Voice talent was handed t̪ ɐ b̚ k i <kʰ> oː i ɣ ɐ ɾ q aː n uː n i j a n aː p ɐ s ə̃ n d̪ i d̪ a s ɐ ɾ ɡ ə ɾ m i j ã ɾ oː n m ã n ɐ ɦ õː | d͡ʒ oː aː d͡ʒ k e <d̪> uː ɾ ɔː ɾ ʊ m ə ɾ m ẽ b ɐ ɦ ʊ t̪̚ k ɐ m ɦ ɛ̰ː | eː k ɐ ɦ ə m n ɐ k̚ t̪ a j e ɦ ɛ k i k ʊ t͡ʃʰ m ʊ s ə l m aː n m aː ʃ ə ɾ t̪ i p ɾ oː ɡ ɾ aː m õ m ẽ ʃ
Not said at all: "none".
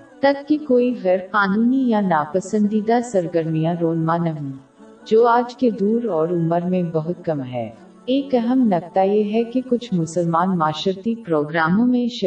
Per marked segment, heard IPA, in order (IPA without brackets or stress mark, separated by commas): k, d̪